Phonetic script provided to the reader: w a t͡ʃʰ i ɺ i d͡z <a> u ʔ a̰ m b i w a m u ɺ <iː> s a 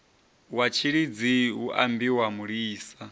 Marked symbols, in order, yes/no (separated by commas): no, yes